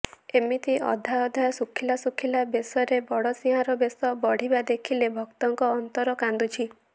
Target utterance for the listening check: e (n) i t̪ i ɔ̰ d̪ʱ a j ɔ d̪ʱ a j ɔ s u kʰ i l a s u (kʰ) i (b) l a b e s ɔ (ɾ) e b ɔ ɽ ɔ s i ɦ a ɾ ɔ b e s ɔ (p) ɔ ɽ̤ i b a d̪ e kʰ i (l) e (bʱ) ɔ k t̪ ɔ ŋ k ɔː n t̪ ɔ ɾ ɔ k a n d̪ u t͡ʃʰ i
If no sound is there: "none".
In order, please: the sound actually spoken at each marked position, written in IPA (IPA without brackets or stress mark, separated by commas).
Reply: m, kʰ, none, ɾ, b, l, bʱ